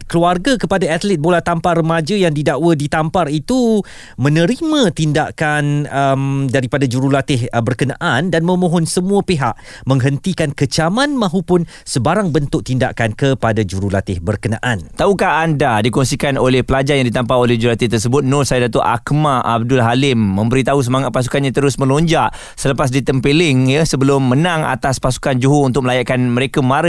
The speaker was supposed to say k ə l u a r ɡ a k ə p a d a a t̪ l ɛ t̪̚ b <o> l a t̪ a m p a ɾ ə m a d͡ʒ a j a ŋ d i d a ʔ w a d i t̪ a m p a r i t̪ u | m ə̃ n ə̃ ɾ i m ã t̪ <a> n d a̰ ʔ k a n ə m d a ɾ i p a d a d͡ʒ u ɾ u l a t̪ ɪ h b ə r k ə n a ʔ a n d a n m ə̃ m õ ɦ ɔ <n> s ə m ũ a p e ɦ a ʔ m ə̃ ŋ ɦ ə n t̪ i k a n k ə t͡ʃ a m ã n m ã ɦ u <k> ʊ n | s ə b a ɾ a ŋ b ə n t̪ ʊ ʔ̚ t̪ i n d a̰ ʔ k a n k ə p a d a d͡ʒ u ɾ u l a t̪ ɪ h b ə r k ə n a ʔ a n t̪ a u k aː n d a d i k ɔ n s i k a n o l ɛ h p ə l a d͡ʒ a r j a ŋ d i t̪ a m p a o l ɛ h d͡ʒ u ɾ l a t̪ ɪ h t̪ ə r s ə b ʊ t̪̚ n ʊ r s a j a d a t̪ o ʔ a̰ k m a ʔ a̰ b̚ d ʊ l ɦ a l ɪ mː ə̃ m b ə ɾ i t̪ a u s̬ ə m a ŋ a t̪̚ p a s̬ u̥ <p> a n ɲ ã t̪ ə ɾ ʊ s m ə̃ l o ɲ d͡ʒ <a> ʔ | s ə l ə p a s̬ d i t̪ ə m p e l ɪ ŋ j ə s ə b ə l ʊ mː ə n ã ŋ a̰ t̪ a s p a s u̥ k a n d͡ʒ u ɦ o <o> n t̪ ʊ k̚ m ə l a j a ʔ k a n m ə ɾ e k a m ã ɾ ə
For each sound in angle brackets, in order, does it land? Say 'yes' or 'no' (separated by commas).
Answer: yes, no, yes, no, no, yes, no